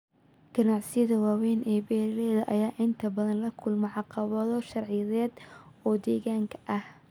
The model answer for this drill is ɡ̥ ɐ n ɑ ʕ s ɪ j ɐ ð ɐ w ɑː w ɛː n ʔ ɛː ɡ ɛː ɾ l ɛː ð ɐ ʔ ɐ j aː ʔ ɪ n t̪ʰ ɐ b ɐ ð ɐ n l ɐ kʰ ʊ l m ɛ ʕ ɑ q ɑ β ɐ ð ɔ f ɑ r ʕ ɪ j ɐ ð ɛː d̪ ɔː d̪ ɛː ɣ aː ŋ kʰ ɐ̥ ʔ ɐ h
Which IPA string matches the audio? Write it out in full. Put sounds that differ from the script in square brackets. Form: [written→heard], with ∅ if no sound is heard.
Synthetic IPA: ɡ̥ ɐ n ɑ ʕ s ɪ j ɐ ð ɐ w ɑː w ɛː n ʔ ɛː [ɡ→b] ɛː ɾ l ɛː ð ɐ ʔ ɐ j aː ʔ ɪ n t̪ʰ ɐ b ɐ ð ɐ n l ɐ kʰ ʊ l m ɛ ʕ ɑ q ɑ β ɐ ð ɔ [f→ʃ] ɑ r ʕ ɪ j ɐ ð ɛː d̪ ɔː d̪ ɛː ɣ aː ŋ kʰ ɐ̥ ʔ ɐ h